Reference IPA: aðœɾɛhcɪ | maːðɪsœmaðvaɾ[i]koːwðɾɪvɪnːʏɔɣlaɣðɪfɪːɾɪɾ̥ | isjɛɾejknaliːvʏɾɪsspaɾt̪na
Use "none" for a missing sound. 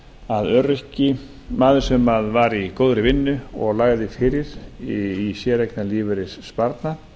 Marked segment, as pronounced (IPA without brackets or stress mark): i